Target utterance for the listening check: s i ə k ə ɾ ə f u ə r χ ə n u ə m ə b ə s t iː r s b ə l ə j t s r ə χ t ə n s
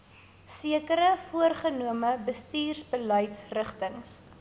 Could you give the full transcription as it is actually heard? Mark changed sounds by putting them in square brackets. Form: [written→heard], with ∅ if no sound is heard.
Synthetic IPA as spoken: s i ə k ə ɾ ə f u ə r χ ə n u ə m ə b ə s t iː r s b ə l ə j t s r ə χ t ə [n→ŋ] s